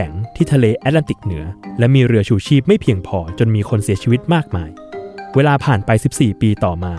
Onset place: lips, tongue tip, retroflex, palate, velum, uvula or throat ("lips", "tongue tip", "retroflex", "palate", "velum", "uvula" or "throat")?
velum